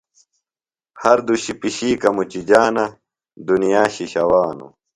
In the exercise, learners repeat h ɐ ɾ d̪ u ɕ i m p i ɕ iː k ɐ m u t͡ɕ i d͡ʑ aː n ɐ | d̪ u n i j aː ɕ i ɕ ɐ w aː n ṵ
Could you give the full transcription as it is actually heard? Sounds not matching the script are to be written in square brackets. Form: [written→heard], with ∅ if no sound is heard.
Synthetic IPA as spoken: h ɐ ɾ d̪ u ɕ i [m→∅] p i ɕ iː k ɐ m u t͡ɕ i d͡ʑ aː n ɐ | d̪ u n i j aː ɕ i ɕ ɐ w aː n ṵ